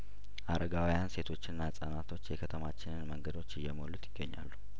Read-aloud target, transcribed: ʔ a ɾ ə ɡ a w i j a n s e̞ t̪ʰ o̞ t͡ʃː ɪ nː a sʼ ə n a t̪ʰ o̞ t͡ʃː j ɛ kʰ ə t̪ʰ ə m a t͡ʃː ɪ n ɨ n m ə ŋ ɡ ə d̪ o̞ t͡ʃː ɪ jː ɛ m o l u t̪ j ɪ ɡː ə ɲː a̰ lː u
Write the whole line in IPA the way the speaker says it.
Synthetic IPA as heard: ʔ a ɾ ə ɡ a w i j a n s e̞ t̪ʰ o̞ t͡ʃː ɪ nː a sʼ ə n a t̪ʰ o̞ t͡ʃː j ɛ kʰ ə t̪ʰ ə m a t͡ʃː ɪ n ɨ n m ə ŋ ɡ ə d̪ o̞ t͡ʃː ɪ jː ɛ m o l u t̪ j ɪ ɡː ə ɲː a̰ lː u